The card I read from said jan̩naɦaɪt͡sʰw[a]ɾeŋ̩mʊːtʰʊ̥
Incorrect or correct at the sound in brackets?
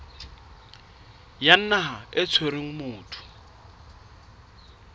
incorrect: e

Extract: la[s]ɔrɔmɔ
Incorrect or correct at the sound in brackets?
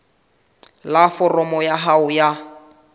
incorrect: f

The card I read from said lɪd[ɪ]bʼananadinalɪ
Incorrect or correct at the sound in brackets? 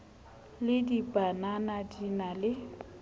incorrect: i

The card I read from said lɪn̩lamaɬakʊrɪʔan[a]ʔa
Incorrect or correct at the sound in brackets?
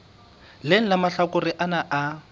correct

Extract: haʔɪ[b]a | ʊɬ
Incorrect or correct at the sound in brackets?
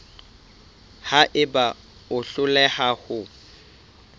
correct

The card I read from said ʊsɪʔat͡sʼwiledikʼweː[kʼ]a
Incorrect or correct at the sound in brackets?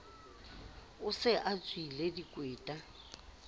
incorrect: tʼ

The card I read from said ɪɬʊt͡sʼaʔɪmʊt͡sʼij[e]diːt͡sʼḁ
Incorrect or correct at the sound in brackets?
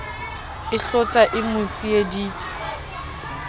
correct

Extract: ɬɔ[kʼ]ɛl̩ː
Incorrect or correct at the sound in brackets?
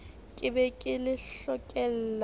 correct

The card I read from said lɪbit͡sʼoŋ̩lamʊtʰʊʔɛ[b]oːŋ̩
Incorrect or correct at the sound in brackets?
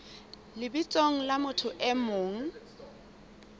incorrect: m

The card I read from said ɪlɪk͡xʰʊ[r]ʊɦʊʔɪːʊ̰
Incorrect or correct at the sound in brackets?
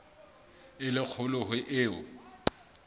incorrect: l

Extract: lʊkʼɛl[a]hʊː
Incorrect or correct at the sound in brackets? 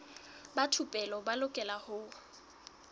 correct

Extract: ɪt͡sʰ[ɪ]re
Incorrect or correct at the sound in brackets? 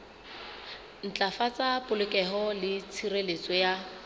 incorrect: i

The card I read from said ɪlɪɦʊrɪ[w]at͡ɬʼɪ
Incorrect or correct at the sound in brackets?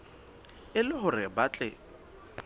incorrect: b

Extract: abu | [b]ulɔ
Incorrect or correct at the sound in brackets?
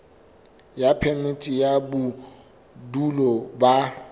incorrect: d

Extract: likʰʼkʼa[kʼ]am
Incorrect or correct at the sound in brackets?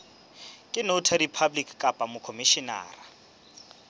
incorrect: pʼ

